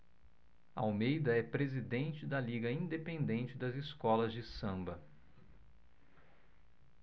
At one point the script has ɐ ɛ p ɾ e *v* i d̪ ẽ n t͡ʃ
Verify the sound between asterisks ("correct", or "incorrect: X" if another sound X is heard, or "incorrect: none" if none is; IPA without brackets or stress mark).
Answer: incorrect: z